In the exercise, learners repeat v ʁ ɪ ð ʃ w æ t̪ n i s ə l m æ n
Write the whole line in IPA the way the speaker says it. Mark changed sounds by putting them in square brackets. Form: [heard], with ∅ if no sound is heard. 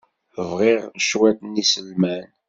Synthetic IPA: v ʁ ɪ [ʁ] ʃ w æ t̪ n i s ə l m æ n